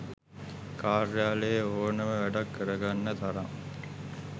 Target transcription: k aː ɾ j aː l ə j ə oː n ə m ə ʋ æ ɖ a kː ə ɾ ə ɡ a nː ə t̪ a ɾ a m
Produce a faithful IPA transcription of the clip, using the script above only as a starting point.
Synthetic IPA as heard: k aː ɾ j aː l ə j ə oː n ə m ə ʋ æ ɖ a kː ə ɾ ə ɡ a nː ə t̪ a ɾ a ŋ